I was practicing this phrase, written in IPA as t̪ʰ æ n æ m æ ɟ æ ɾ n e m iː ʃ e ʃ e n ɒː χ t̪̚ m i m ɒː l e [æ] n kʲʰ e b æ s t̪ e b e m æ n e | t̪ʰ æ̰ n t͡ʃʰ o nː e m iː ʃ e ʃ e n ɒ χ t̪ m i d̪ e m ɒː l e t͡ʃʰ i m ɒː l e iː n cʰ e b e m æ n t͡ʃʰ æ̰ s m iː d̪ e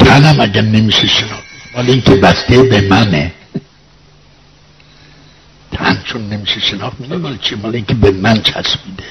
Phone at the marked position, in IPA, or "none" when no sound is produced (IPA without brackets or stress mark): i